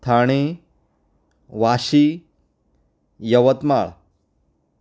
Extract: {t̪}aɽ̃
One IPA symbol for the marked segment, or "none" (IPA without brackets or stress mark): t̪ʰ